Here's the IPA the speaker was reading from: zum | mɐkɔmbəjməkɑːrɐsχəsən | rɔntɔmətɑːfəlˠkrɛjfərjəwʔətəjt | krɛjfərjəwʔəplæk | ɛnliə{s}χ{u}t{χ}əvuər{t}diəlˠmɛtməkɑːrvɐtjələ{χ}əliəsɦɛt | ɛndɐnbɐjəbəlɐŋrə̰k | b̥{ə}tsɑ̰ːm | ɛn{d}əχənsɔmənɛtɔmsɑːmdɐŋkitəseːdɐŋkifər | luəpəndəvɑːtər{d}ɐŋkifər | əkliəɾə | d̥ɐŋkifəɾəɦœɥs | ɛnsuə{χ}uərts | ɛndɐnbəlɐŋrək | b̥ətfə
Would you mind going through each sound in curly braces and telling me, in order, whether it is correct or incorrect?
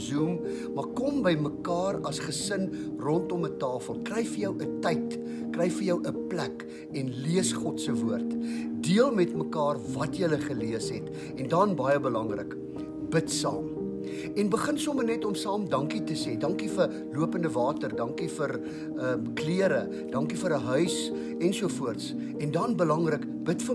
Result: correct, incorrect: ɔ, incorrect: s, correct, correct, correct, incorrect: b, correct, incorrect: f

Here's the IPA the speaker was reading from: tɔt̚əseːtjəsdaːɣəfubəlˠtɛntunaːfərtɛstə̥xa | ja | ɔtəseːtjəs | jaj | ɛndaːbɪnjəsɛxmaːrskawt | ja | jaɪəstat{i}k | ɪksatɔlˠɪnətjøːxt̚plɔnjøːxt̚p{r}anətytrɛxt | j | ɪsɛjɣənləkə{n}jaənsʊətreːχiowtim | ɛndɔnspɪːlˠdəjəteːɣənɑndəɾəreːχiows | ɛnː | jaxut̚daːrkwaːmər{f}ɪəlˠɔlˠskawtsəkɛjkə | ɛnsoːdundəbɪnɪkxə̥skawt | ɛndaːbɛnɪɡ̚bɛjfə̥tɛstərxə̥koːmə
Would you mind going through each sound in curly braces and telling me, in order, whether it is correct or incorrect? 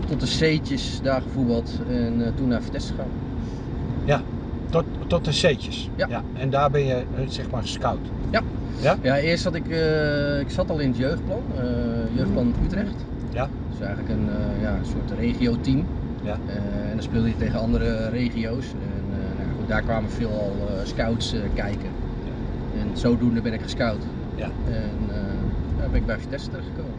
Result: incorrect: ɪ, incorrect: l, correct, correct

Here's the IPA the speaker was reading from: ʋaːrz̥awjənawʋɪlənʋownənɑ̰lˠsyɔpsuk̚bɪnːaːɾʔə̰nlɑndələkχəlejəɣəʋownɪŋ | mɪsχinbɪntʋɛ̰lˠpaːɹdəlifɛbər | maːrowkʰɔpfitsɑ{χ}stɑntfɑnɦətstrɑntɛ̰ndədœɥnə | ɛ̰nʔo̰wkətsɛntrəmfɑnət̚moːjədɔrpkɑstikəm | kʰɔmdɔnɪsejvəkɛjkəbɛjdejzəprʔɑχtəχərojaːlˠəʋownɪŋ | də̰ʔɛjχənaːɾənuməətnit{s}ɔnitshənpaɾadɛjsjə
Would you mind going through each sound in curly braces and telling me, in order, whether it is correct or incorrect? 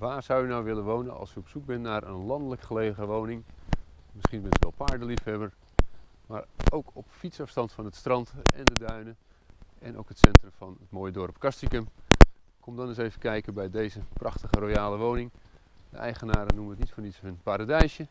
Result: incorrect: f, incorrect: f

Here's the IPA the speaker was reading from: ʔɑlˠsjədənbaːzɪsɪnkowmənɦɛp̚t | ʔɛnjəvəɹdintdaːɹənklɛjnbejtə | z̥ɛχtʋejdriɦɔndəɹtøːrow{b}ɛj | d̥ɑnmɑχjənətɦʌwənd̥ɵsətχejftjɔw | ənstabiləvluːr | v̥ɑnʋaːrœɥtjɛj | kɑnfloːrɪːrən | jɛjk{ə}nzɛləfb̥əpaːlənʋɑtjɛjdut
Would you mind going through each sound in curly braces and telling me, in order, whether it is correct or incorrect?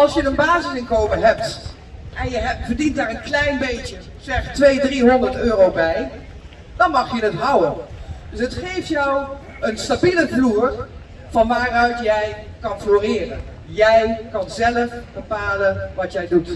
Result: correct, incorrect: ɑ

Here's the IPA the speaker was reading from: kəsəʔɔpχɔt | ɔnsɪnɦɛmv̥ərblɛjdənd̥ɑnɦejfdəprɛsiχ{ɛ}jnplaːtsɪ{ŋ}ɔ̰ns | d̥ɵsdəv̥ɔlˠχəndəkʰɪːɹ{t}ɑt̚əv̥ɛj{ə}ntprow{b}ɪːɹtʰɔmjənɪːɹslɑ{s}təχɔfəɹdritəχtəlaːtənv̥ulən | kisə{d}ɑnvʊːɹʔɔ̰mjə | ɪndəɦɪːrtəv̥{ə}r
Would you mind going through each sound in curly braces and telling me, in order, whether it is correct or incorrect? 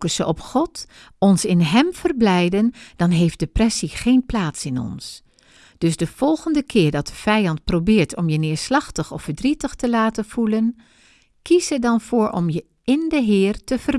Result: incorrect: e, incorrect: n, incorrect: d, incorrect: ɑ, correct, incorrect: χ, correct, correct

